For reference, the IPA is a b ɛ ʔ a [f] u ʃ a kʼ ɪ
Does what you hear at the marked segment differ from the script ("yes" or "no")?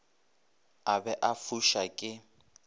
no